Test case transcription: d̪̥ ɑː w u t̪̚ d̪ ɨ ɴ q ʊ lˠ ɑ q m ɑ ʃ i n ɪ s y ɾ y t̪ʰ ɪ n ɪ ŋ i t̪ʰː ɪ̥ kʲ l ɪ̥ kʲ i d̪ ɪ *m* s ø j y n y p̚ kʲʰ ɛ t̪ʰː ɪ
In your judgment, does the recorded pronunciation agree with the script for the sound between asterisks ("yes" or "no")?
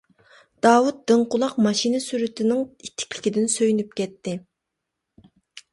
no